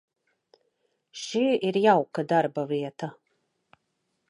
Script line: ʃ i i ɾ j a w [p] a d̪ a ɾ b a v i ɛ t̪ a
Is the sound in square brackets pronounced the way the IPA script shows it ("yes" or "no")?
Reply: no